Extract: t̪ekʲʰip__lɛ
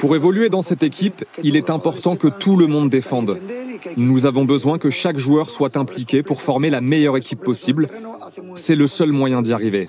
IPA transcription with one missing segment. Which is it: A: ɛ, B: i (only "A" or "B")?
B